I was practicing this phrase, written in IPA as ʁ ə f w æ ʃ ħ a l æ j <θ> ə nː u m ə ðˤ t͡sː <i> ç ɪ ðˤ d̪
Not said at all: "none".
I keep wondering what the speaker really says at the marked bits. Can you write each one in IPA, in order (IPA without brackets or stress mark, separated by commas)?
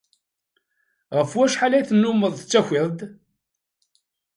θ, æ